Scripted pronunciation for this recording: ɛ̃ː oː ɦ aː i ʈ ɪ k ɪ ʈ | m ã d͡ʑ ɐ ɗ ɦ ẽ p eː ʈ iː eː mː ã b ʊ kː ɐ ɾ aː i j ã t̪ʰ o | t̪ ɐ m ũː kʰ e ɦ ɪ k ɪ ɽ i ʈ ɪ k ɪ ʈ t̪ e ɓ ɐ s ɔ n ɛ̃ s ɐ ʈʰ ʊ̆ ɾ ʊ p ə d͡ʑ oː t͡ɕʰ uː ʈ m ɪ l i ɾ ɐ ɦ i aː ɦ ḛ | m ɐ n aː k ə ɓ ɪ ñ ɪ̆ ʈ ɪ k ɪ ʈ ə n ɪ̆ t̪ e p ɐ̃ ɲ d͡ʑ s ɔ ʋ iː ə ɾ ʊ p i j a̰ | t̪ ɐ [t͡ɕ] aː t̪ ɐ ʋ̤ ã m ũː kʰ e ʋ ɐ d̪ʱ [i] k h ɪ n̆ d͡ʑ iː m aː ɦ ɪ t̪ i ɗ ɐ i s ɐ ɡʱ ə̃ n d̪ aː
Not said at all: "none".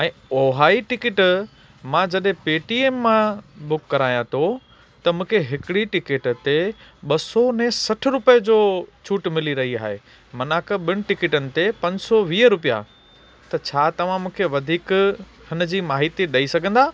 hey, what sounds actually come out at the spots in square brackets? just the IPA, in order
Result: t͡ɕʰ, iː

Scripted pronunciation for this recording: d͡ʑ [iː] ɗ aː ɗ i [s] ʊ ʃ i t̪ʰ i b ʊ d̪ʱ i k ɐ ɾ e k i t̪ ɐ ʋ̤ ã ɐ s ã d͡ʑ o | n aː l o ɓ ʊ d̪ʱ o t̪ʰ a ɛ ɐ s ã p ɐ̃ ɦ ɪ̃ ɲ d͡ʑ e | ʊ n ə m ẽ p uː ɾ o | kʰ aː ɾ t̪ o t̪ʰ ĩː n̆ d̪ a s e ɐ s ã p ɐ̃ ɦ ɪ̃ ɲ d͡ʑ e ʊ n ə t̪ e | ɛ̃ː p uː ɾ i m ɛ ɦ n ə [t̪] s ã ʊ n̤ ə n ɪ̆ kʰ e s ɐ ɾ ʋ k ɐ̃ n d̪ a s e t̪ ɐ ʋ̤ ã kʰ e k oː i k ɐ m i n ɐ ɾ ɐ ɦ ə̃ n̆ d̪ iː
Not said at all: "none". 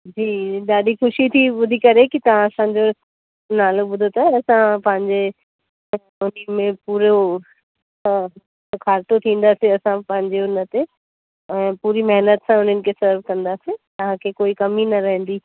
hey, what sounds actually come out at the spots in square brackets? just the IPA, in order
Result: iː, x, t̪

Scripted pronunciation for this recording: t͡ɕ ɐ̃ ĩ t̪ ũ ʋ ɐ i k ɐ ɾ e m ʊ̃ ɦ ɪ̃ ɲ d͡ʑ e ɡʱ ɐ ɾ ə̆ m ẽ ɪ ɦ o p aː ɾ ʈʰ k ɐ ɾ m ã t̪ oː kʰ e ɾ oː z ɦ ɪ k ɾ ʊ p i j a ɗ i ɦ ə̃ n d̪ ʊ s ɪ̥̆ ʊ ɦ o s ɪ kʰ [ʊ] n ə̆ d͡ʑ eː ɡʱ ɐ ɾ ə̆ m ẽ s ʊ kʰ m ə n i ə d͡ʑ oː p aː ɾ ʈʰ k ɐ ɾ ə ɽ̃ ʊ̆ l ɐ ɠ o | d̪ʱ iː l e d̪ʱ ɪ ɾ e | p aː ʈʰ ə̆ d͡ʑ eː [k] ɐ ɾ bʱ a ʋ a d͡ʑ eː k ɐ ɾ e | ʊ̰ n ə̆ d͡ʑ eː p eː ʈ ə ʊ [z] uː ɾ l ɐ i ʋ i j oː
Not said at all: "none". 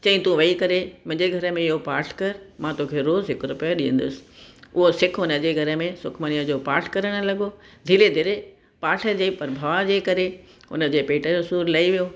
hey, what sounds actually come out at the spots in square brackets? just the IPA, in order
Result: ʊ, p, s

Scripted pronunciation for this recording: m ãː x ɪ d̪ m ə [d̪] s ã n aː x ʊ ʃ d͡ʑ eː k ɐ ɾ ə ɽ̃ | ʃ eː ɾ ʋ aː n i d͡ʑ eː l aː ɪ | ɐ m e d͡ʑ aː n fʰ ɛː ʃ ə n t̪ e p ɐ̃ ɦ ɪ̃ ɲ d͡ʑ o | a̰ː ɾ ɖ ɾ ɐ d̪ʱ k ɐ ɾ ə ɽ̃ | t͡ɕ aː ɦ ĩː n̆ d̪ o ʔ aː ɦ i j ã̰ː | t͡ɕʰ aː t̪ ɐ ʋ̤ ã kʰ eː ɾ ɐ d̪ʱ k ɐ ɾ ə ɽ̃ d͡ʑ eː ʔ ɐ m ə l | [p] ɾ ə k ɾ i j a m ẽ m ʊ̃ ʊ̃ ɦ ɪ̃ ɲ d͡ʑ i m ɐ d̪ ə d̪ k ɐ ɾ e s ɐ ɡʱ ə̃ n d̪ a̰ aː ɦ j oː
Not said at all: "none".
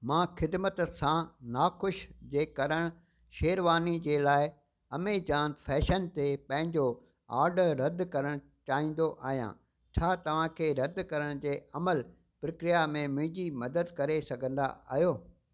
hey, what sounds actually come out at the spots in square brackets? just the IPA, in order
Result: t̪, p

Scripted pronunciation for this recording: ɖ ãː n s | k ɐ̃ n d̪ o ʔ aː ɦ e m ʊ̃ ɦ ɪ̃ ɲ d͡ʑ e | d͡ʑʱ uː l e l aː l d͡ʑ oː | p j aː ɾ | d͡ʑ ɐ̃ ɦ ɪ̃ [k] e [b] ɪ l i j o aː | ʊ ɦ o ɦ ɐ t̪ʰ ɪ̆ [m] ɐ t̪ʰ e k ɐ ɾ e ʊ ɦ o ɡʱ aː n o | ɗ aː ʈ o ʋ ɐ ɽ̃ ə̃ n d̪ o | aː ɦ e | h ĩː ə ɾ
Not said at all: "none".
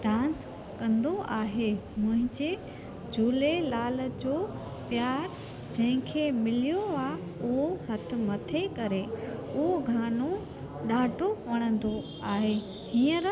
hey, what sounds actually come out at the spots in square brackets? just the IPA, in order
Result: kʰ, m, m

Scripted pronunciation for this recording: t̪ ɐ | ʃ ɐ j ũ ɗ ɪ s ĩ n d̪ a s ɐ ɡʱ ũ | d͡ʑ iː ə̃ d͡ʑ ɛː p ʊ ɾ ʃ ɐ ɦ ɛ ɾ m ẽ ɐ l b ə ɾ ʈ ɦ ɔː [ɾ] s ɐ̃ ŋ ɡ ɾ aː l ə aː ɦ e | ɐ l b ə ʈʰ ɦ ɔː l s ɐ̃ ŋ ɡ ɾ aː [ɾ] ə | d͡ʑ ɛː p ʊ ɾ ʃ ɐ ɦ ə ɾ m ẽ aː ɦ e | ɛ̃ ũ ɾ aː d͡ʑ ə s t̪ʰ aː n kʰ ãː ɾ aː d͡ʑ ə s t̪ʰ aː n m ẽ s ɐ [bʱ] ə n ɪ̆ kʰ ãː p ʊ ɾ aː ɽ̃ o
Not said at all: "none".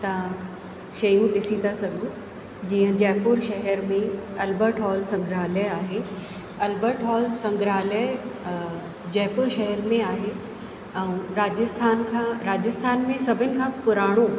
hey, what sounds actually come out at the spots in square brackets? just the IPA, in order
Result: l, l, bʱ

